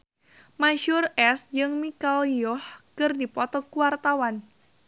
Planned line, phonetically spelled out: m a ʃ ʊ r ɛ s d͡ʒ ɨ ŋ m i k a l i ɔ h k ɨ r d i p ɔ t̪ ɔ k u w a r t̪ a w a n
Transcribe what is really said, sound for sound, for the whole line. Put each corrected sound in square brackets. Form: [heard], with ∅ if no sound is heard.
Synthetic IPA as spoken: m a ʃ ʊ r ɛ s d͡ʒ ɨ ŋ m i k a l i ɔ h k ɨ r d i p ɔ t̪ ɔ k u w a r t̪ a w a n

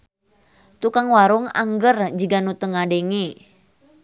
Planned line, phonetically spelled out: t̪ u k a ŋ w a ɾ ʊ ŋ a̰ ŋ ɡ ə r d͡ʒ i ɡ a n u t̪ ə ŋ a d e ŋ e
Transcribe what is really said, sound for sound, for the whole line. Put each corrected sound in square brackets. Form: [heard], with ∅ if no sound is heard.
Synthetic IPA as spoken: t̪ u k a ŋ w a ɾ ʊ ŋ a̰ ŋ ɡ ə r d͡ʒ i ɡ a n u t̪ ə ŋ a d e ŋ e

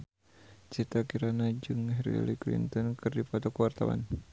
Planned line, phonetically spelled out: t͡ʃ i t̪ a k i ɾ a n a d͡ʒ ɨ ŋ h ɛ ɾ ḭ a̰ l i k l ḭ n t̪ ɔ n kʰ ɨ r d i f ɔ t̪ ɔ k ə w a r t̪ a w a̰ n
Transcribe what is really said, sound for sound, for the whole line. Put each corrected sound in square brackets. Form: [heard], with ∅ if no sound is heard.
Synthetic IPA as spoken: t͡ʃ i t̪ a k i ɾ a n a d͡ʒ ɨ ŋ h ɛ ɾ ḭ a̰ l i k l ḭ n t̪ ɔ n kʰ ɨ r d i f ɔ t̪ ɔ k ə w a r t̪ a w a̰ n

